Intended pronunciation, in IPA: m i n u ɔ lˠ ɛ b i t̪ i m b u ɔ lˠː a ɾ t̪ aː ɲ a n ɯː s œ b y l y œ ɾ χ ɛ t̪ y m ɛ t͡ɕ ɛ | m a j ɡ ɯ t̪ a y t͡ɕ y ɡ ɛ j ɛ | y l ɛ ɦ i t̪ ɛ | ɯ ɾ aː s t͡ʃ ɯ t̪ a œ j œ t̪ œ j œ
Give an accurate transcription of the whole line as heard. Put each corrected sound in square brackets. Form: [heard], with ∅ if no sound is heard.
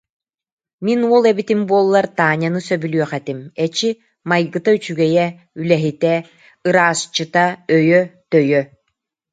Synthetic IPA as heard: m i n u ɔ lˠ ɛ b i t̪ i m b u ɔ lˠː a ɾ t̪ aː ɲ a n [ɯ] s œ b y l y œ [∅] χ ɛ t̪ [i] m ɛ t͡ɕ [i] | m a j ɡ ɯ t̪ a y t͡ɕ y ɡ ɛ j ɛ | y l ɛ ɦ i t̪ ɛ | ɯ ɾ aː s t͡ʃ ɯ t̪ a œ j œ t̪ œ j œ